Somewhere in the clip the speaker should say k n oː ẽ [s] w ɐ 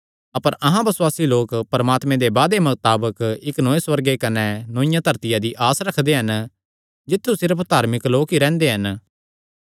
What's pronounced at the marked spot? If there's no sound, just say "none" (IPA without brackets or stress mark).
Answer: s